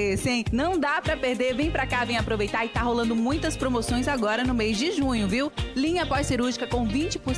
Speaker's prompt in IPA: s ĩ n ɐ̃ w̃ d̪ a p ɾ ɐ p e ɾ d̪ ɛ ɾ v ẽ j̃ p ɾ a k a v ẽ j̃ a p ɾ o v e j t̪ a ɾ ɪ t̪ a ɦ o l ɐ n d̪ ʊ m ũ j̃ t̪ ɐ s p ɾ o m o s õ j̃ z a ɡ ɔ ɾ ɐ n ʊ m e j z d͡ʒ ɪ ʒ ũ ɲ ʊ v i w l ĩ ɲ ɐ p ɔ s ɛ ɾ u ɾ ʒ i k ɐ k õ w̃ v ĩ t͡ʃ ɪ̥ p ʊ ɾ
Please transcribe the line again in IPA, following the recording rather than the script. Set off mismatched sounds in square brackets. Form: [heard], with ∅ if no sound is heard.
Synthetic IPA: s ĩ n ɐ̃ w̃ d̪ a p ɾ ɐ p e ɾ d̪ [e] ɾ v ẽ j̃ p ɾ a k a v ẽ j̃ a p ɾ o v e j t̪ a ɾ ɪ t̪ a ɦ o l [ɐ̃] n d̪ ʊ m ũ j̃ t̪ ɐ s p ɾ o m o s õ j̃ z a ɡ ɔ ɾ ɐ n ʊ m e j z d͡ʒ ɪ ʒ ũ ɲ ʊ v i w l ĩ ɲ ɐ p ɔ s [i] ɾ u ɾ ʒ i k ɐ k õ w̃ v ĩ t͡ʃ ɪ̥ p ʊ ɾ